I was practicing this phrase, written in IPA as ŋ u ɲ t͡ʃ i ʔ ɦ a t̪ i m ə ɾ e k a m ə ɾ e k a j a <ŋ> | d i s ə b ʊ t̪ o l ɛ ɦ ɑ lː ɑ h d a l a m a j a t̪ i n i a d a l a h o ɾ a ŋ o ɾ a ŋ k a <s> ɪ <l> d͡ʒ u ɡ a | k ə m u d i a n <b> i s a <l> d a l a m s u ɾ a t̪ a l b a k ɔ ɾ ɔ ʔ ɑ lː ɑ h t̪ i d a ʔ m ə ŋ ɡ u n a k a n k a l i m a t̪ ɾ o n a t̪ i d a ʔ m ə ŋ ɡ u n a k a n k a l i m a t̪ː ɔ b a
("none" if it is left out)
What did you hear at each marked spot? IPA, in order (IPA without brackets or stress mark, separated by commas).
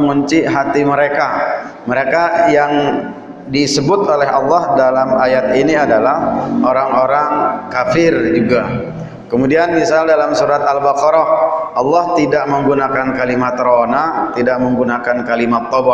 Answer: ŋ, f, r, m, l